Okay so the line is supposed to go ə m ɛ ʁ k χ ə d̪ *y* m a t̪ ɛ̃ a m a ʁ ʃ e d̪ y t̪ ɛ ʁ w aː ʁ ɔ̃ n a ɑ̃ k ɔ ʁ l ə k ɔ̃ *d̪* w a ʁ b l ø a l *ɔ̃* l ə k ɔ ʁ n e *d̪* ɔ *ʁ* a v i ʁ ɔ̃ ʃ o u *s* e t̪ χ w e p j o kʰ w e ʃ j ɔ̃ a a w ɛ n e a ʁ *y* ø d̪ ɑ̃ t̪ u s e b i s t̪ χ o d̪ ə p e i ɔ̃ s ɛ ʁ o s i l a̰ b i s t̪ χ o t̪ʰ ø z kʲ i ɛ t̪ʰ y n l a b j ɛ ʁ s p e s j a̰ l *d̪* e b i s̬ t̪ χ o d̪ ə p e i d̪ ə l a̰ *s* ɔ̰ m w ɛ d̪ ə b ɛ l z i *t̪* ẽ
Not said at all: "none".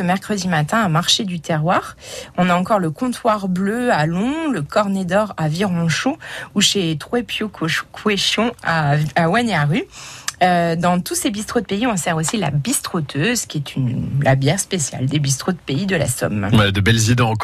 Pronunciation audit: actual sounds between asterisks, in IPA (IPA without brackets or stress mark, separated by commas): i, t̪, ɔ̃, d̪, ʁ, ʃ, y, d̪, s, d̪